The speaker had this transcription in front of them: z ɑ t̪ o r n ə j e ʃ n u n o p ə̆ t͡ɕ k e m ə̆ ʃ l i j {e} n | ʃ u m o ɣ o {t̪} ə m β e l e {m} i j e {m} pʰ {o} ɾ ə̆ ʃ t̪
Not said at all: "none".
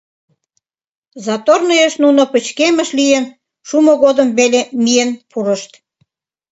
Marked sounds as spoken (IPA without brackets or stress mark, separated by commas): e, d̪, m, n, u